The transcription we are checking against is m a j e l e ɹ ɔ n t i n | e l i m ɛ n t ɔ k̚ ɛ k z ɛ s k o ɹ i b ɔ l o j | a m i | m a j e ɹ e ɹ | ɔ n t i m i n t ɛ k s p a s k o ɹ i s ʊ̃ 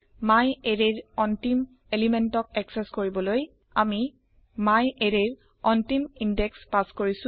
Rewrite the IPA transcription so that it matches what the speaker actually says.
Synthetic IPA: m a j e ɹ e ɹ ɔ n t i m | e l i m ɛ n t ɔ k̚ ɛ k s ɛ s k o ɹ i b ɔ l o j | a m i | m a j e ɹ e ɹ | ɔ n t i m i n d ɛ k s p a s k o ɹ i s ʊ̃